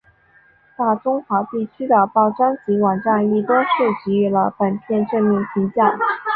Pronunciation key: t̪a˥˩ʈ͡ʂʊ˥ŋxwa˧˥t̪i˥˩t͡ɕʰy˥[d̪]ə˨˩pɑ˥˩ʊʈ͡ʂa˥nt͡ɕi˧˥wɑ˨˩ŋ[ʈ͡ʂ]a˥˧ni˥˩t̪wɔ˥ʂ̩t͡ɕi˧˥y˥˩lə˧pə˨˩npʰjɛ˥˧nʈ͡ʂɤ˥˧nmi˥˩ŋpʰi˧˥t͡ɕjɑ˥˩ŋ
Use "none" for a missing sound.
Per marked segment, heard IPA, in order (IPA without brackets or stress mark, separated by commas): d̪, ʈ͡ʂ